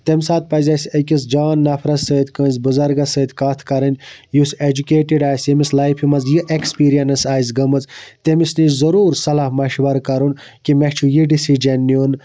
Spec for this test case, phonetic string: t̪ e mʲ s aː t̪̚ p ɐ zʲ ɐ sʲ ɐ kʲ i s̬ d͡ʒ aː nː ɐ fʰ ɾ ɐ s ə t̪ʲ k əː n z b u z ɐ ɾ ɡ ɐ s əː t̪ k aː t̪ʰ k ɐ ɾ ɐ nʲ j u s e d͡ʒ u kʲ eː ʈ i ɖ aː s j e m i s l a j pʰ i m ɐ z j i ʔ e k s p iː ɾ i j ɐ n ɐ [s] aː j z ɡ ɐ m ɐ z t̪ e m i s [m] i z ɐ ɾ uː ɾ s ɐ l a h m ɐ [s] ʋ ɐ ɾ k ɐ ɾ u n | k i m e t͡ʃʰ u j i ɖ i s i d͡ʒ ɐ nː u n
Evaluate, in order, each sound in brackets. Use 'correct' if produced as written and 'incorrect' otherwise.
correct, incorrect: n, incorrect: ʃ

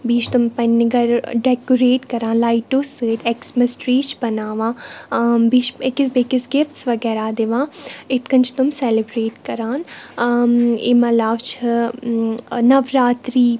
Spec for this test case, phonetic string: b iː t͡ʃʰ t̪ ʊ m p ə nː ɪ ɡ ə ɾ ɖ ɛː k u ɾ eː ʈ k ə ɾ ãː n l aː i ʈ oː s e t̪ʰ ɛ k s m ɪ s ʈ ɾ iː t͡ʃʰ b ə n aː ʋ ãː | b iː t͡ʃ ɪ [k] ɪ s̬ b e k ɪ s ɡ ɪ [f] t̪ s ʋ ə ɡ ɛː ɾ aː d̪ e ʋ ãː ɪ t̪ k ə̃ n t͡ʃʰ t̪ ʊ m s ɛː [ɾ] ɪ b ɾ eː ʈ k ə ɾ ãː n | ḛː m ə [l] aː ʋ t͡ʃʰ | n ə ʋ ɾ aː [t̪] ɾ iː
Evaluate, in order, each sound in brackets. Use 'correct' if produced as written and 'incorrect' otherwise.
correct, correct, incorrect: l, correct, correct

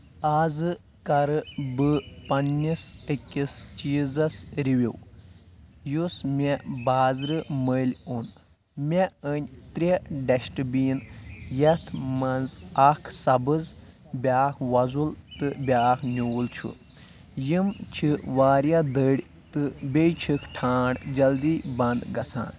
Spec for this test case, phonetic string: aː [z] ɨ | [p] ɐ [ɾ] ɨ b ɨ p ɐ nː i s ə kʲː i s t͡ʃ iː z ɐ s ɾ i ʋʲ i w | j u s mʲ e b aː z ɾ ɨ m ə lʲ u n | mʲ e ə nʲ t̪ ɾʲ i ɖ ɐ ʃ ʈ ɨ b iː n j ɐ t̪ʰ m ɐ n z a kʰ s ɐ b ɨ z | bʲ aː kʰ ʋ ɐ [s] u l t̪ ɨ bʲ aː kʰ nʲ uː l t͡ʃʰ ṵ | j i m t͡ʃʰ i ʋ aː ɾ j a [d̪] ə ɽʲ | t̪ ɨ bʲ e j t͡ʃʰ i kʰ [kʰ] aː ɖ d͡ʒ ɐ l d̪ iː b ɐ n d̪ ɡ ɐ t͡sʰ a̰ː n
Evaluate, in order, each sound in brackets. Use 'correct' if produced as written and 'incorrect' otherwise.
correct, incorrect: k, correct, incorrect: z, correct, incorrect: ʈʰ

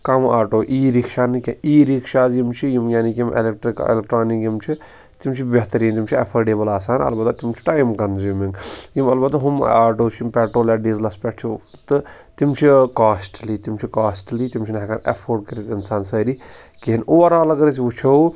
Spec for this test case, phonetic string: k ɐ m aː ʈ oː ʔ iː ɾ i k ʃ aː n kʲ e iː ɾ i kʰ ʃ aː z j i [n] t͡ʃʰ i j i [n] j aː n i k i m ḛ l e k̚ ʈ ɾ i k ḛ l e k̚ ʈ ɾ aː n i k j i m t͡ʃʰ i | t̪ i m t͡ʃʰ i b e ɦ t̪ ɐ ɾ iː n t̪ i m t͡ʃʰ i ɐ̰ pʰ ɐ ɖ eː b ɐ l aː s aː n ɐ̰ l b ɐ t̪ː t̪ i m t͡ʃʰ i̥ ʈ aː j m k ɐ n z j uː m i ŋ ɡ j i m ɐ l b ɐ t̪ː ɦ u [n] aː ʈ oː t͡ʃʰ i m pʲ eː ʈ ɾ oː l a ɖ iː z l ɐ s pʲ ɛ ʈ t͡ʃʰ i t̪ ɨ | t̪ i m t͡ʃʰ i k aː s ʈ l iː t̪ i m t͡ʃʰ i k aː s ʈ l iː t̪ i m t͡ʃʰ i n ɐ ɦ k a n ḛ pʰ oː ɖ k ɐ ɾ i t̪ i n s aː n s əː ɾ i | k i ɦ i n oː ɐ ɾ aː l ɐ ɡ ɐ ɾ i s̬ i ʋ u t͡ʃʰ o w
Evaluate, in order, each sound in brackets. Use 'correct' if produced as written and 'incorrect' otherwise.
incorrect: m, incorrect: m, incorrect: m

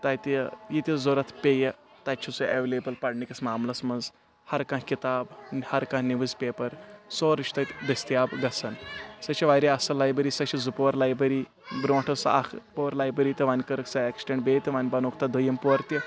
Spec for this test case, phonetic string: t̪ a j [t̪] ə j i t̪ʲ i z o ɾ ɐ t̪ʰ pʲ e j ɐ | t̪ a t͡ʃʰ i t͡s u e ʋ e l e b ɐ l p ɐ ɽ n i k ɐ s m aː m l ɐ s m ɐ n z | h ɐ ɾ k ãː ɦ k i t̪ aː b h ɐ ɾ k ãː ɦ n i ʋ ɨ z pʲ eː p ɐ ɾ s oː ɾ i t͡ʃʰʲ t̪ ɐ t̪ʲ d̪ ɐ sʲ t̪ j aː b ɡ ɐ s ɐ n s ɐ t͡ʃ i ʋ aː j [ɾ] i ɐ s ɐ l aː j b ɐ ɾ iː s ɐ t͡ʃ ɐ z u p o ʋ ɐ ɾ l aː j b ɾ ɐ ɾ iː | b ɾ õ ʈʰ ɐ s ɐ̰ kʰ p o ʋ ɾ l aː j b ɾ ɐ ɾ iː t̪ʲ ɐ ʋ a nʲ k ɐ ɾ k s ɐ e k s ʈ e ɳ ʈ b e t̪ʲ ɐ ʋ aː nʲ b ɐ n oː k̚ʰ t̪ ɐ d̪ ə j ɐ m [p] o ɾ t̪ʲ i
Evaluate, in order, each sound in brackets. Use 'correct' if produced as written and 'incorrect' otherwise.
correct, correct, correct

